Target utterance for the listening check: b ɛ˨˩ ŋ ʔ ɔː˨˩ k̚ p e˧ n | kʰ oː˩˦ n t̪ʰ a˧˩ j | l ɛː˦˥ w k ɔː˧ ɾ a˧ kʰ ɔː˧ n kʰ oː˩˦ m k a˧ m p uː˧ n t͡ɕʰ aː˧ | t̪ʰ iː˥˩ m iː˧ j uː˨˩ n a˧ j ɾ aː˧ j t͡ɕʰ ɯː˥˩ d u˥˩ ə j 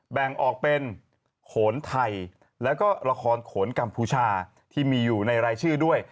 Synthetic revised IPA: b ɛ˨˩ ŋ ʔ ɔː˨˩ k̚ p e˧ n | kʰ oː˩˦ n t̪ʰ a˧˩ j | l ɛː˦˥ w k ɔː˥˩ ɾ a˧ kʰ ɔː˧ n kʰ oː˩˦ n k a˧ m pʰ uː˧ t͡ɕʰ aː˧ | t̪ʰ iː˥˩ m iː˧ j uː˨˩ n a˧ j ɾ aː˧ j t͡ɕʰ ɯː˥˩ d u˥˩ ə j